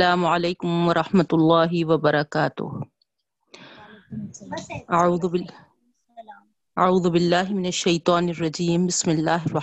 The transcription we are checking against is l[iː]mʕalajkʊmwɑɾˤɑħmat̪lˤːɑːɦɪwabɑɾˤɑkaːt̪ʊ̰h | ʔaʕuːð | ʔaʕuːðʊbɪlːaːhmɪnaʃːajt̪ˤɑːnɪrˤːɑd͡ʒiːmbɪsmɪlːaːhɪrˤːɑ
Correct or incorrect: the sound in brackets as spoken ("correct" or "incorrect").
incorrect